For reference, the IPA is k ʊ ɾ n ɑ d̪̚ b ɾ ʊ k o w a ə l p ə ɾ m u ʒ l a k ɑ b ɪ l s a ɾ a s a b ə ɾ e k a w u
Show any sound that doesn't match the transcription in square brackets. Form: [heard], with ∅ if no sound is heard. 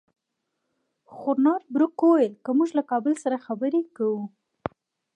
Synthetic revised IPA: [x] ʊ ɾ n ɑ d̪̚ b ɾ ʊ k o w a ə l [k] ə [∅] m u ʒ l a k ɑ b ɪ l s a ɾ a [x] a b ə ɾ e k a w u